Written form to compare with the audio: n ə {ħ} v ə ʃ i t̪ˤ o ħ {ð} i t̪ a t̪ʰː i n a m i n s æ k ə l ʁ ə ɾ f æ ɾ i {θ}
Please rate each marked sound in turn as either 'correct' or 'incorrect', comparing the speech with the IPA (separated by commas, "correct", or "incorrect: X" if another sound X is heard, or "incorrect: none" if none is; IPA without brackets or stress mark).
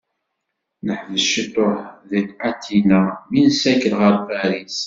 correct, correct, incorrect: s